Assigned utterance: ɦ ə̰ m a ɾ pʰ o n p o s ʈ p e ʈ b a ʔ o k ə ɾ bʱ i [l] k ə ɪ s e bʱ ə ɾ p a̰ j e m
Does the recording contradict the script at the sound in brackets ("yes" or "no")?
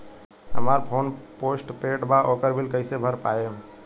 no